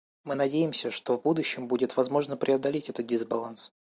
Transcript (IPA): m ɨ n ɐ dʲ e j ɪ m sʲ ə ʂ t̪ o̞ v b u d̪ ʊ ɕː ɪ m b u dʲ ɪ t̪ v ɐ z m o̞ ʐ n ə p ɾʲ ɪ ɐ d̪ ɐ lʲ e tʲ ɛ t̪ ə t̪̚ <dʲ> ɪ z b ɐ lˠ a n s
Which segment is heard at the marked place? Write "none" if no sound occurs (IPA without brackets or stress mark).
dʲ